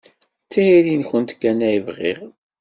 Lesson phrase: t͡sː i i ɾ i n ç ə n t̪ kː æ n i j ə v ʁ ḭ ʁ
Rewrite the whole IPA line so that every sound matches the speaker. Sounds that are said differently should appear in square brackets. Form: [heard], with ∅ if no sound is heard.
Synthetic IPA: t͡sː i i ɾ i n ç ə n t̪ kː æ n [æ] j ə v ʁ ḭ ʁ